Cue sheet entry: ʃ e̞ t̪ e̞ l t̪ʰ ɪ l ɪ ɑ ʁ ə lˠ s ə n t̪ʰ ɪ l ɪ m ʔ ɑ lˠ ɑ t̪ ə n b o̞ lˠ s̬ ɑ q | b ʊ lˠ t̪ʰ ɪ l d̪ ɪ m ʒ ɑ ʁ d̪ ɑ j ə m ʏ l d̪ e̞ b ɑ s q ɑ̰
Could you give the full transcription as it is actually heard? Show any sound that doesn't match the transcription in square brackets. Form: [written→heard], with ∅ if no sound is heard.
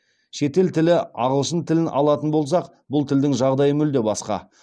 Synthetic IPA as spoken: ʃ e̞ t̪ e̞ l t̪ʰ ɪ l ɪ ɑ ʁ ə lˠ [s→ʃ] ə n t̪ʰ ɪ l ɪ [m→n] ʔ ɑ lˠ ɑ t̪ ə n b o̞ lˠ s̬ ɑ q | b ʊ lˠ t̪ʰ ɪ l d̪ ɪ [m→ŋ] ʒ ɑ ʁ d̪ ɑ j ə m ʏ l d̪ e̞ b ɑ s q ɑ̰